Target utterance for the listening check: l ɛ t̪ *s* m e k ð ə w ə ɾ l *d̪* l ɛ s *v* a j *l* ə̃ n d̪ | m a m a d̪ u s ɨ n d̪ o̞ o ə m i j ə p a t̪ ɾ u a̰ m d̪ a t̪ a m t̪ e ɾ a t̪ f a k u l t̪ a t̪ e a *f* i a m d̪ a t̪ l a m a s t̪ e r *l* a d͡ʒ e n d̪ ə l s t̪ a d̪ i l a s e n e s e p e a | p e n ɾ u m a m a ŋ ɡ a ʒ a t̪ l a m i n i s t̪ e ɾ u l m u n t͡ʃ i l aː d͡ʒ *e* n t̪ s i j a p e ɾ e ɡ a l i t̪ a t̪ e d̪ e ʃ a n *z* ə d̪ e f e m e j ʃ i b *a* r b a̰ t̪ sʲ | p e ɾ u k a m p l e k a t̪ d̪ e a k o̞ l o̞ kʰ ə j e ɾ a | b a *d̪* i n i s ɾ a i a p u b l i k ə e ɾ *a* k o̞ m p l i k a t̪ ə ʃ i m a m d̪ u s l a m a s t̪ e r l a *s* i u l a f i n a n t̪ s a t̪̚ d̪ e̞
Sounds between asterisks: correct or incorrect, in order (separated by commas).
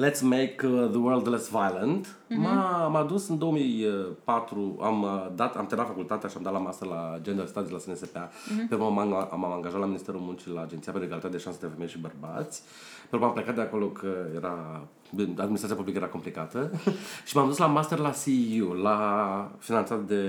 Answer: correct, correct, correct, correct, incorrect, correct, correct, incorrect, incorrect, correct, correct, correct